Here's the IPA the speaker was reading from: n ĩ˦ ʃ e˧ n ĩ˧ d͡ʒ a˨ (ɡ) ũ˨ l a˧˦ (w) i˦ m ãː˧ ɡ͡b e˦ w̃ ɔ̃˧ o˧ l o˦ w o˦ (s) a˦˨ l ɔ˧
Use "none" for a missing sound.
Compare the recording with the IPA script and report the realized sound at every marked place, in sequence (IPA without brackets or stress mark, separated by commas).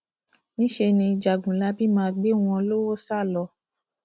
ɡ, b, s